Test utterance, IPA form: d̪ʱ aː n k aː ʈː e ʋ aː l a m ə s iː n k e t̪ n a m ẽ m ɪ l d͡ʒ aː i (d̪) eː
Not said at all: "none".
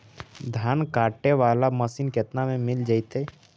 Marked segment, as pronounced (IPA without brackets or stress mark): t̪